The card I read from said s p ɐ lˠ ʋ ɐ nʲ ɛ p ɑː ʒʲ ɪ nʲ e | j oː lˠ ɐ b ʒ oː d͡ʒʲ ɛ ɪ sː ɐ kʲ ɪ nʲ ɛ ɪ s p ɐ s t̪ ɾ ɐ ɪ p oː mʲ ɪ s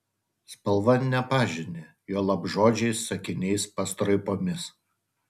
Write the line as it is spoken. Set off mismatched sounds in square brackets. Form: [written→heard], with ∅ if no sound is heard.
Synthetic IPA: s p ɐ lˠ ʋ ɐ nʲ ɛ p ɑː ʒʲ ɪ nʲ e | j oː lˠ ɐ b ʒ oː d͡ʒʲ ɛ ɪ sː ɐ kʲ ɪ nʲ ɛ ɪ s p ɐ s t̪ ɾ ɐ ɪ p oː mʲ ɪ s